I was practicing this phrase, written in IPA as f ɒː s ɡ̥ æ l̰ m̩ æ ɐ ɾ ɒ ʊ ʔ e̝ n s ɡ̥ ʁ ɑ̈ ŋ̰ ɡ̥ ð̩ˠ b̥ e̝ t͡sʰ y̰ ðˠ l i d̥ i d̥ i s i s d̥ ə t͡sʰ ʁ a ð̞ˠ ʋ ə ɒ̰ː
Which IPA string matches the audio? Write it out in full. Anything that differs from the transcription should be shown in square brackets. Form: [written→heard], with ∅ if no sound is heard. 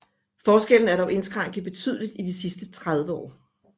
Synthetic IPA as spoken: f ɒː s ɡ̥ [æ→e] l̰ [m̩→n̩] æ ɐ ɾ ɒ ʊ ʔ e̝ n s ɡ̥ ʁ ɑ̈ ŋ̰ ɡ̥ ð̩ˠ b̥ e̝ t͡sʰ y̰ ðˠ l i d̥ i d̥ i s i s d̥ ə t͡sʰ ʁ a ð̞ˠ ʋ ə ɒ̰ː